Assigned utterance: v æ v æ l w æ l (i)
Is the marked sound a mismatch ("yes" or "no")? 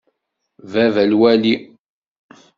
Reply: no